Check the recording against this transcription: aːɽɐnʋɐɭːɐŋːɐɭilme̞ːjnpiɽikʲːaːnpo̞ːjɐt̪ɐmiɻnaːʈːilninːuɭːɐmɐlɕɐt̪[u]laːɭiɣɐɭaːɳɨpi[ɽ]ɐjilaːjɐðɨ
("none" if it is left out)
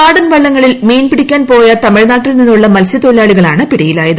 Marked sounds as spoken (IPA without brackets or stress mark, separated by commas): o, ɽ